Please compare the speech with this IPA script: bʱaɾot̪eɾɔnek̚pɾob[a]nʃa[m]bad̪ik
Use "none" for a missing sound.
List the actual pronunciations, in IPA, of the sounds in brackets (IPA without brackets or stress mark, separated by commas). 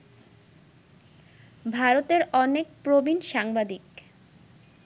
i, ŋ